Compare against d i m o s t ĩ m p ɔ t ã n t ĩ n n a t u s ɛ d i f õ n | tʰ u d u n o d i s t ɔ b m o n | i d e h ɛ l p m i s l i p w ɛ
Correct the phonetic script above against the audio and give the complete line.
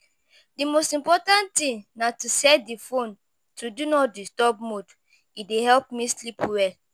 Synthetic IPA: d i m o s t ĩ m p ɔ t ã n t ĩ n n a t u s ɛ d i f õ n | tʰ u d u n ɔ d i s t ɔ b m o d | i d e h ɛ l p m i s l i p w ɛ